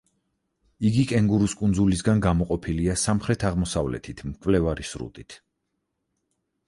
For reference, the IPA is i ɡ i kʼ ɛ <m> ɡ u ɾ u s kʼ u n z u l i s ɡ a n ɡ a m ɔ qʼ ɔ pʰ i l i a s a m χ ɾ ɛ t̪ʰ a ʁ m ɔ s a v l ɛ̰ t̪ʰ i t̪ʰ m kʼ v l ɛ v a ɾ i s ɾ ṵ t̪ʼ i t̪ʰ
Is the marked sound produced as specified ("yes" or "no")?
no